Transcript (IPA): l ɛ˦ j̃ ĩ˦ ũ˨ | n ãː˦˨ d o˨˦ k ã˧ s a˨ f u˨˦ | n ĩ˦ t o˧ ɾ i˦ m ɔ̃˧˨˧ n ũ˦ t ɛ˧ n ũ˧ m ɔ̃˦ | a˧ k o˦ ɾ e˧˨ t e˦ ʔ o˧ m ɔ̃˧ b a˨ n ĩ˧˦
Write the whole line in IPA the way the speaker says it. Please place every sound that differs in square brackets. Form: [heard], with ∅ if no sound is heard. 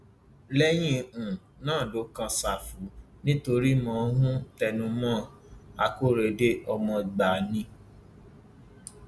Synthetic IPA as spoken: l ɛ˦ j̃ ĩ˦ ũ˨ | n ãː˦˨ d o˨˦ k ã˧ s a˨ f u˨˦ | n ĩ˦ t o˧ ɾ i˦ m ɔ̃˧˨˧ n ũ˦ t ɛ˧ n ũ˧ m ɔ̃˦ | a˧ k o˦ ɾ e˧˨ [d] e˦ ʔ [ɔ˧] m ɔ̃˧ [ɡ͡b] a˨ n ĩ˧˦